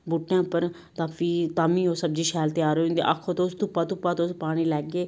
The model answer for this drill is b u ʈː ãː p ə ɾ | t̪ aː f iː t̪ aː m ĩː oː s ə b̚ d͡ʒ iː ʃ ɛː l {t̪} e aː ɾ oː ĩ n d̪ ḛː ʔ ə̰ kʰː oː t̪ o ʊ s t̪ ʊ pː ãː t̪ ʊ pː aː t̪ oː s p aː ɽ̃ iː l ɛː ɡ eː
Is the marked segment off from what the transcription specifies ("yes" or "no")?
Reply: no